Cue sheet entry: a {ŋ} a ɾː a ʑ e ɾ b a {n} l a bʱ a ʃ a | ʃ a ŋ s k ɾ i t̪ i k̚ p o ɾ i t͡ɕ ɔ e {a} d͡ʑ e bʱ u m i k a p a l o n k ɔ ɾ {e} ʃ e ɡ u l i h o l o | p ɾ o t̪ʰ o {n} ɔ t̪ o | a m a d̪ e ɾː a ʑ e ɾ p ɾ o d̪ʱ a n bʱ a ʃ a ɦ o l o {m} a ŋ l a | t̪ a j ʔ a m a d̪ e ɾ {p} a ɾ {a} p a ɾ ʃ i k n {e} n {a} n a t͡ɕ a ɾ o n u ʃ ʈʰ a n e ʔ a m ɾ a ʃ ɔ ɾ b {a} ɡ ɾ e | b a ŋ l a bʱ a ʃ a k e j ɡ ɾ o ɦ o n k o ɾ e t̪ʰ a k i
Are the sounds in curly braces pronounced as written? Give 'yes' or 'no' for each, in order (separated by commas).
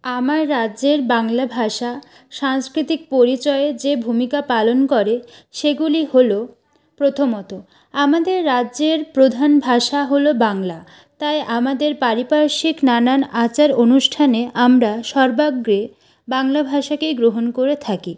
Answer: no, no, no, yes, no, no, yes, no, no, yes, yes